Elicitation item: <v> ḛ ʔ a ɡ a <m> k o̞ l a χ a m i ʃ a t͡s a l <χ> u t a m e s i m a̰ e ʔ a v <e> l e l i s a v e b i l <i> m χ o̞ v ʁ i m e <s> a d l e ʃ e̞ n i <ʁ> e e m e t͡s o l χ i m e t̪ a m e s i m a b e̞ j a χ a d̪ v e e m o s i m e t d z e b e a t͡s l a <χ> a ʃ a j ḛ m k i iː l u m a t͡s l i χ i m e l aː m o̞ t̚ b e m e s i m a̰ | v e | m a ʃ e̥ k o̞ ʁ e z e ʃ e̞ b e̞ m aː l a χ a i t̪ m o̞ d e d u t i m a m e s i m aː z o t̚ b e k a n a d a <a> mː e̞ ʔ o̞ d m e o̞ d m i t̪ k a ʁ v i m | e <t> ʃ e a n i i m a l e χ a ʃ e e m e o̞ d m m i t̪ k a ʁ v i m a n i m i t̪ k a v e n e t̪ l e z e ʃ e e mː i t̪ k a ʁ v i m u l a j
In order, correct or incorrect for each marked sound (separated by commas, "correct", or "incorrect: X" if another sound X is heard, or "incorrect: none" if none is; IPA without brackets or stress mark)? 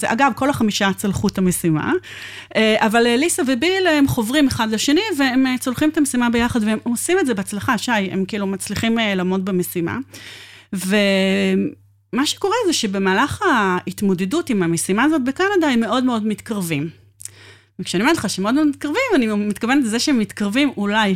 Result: incorrect: z, incorrect: b, correct, incorrect: a, incorrect: e, incorrect: χ, incorrect: v, correct, incorrect: e, incorrect: k